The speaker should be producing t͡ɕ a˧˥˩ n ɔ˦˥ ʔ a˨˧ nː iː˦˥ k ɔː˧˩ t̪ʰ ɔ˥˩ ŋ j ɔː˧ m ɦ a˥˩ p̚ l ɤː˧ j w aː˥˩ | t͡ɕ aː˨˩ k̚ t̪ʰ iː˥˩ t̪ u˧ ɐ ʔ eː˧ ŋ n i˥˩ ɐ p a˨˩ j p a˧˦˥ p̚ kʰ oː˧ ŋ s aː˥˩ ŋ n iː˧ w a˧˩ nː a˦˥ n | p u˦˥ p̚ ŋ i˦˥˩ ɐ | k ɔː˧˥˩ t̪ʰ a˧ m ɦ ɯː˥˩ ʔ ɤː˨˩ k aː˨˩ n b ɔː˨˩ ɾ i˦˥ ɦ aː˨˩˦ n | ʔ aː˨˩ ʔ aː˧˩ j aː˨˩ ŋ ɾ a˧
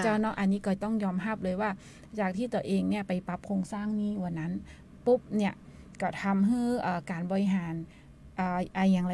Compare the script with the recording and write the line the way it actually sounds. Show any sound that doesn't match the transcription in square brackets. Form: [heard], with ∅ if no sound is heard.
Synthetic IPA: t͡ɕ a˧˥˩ n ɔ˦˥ ʔ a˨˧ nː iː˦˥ k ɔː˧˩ [t̪] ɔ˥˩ ŋ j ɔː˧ m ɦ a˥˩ p̚ l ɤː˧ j w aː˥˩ | t͡ɕ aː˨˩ k̚ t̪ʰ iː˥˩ t̪ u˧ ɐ ʔ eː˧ ŋ n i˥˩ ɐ p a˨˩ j p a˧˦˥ p̚ kʰ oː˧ ŋ s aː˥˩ ŋ n [iː˥˩] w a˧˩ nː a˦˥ n | p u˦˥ p̚ [n] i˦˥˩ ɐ | k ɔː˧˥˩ t̪ʰ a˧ m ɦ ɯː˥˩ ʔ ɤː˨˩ k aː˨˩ n b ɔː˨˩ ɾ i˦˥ ɦ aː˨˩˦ n | ʔ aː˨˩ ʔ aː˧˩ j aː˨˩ ŋ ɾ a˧